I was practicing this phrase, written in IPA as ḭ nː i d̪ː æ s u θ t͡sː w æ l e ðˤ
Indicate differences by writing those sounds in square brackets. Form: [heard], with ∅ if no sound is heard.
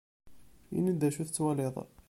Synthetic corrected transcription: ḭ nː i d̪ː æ [ʃ] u θ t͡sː w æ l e ðˤ